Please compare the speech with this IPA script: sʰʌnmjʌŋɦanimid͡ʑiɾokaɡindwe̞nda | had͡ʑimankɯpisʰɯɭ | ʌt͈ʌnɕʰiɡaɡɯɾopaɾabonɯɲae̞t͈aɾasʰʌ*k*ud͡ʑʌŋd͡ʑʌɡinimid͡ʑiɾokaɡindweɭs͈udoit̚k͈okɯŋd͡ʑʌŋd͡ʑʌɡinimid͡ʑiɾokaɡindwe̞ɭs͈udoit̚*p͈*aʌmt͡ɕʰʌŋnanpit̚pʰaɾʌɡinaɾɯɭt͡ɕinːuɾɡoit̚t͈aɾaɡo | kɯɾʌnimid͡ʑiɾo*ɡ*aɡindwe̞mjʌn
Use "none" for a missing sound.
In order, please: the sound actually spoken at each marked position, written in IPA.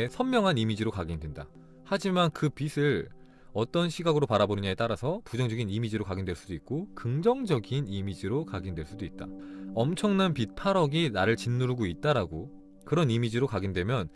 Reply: p, t͈, k

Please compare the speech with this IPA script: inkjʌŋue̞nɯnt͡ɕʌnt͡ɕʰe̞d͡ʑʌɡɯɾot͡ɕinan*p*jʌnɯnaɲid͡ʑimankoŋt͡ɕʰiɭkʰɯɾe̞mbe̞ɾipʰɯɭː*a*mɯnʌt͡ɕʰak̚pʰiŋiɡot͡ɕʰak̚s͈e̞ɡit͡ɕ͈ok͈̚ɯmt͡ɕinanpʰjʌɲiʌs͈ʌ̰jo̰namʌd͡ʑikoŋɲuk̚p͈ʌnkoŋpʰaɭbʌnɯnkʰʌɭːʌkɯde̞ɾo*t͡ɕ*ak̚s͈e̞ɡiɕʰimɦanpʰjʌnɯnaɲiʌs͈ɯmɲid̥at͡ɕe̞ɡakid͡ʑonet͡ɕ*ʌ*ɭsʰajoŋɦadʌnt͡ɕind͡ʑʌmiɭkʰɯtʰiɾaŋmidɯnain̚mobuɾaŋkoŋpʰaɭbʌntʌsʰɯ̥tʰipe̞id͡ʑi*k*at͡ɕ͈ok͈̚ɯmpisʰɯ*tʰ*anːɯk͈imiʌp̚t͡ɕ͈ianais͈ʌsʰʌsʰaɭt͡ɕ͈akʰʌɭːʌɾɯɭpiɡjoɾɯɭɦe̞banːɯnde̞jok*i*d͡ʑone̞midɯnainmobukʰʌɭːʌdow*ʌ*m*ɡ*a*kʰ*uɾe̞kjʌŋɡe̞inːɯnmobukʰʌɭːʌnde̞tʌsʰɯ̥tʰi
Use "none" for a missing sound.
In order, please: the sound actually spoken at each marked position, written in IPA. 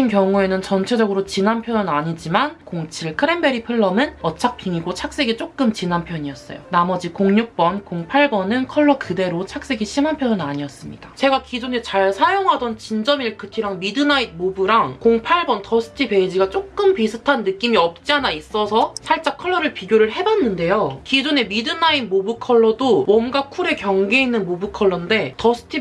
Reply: pʰ, ʌ, t͡ɕʰ, a, ɡ, tʰ, i, ʌ, ɡ, kʰ

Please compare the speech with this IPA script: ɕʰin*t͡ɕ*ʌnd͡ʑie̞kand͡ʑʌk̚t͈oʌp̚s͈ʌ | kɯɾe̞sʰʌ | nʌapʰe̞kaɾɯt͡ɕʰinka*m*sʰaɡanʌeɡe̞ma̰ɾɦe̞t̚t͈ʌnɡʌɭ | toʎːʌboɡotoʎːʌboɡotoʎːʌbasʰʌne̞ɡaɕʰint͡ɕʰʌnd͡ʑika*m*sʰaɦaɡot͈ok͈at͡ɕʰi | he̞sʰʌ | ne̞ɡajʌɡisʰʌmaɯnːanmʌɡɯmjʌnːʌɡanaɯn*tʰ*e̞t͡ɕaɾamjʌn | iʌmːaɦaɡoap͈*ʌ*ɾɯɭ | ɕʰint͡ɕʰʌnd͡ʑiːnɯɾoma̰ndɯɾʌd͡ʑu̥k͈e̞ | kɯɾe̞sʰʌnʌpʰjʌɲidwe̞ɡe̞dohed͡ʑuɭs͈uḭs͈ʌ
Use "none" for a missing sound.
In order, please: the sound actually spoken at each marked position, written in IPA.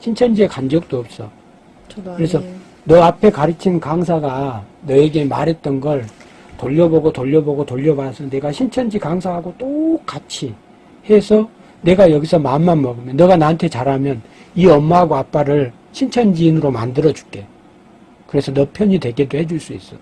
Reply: t͡ɕʰ, ŋ, ŋ, tʰ, a

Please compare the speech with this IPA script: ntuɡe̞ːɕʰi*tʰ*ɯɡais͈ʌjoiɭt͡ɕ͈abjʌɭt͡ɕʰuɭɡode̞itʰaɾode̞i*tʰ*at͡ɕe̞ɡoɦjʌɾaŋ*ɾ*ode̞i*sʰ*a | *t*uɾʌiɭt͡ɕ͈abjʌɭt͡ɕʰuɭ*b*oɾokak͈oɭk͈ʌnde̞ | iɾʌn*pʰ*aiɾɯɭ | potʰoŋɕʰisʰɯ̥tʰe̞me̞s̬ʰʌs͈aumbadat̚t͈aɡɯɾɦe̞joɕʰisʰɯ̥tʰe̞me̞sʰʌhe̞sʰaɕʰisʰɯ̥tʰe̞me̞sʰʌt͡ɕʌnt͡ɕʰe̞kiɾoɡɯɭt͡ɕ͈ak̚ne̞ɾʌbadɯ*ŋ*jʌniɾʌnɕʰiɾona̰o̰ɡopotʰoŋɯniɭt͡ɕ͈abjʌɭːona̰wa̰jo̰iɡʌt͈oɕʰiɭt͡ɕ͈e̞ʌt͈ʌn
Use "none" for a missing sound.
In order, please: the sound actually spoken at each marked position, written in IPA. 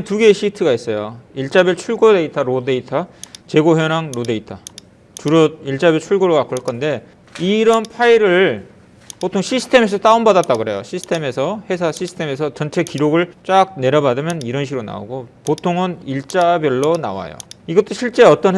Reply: tʰ, tʰ, ɾ, tʰ, t͡ɕ, ɡ, pʰ, m

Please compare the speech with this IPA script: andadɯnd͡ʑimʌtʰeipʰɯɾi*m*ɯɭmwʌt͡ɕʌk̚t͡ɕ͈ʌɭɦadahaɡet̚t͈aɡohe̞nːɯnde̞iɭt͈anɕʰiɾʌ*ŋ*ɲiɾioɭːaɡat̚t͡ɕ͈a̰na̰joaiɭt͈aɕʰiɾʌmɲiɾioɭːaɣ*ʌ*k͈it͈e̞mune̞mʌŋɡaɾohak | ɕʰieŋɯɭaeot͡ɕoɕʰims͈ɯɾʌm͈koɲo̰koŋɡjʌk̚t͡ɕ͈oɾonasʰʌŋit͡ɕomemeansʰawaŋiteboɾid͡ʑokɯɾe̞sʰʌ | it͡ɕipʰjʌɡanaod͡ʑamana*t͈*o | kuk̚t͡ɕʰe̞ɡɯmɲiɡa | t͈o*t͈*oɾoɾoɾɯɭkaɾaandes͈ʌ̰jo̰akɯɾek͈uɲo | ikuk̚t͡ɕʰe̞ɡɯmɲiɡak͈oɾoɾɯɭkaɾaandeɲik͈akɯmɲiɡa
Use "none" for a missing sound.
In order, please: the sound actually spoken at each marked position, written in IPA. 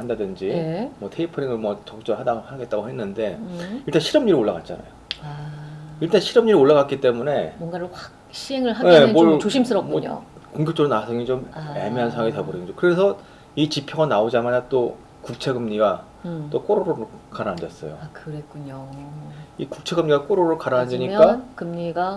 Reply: ŋ, m, a, t͈, k͈

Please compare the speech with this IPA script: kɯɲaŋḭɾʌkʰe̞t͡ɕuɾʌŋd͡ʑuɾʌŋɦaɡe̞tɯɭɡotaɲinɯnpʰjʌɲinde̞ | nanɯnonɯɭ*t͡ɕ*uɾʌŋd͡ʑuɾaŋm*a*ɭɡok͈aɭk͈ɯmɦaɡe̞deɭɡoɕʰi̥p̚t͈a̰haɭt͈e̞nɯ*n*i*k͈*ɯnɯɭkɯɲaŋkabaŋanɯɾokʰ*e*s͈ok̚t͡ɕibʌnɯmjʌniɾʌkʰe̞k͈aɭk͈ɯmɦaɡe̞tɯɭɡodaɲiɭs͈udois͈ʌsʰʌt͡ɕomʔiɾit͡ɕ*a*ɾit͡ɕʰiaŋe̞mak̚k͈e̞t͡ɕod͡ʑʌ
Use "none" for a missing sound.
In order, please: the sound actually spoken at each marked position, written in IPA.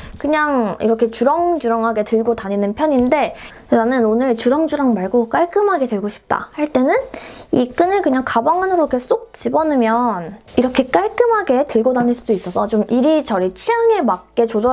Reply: t͡ɕ, a, n, k͈, e, ʌ

